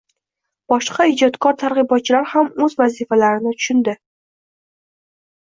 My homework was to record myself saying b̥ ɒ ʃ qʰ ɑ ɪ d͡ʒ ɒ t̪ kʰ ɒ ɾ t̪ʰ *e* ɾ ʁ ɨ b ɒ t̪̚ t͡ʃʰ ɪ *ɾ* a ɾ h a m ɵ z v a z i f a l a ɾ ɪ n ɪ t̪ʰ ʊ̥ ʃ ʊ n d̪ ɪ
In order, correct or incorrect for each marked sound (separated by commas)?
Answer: incorrect, incorrect